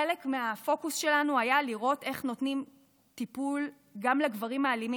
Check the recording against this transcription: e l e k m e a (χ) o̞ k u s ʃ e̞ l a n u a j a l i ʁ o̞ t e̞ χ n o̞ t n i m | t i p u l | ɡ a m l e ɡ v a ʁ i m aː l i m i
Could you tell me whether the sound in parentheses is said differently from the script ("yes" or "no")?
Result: yes